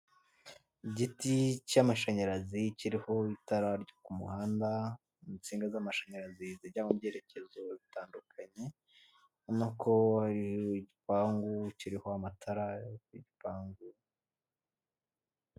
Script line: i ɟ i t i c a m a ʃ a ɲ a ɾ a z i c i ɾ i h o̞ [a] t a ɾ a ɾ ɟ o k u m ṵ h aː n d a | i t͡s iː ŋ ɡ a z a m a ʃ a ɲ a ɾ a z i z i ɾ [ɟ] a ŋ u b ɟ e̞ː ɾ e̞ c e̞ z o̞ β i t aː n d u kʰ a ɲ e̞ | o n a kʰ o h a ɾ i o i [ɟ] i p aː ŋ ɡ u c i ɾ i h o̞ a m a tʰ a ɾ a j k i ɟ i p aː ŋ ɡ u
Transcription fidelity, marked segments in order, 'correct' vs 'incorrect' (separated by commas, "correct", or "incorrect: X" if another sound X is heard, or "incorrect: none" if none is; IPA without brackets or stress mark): incorrect: i, correct, correct